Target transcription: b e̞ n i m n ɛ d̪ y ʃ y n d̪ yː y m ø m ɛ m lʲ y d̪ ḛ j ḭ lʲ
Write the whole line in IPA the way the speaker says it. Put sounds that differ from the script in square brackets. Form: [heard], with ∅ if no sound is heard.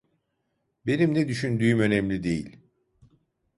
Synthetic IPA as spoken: b e̞ n i m n ɛ d̪ y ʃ y n d̪ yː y m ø [n] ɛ m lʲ [i] d̪ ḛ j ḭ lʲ